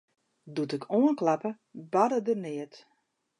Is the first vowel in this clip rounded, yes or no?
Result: yes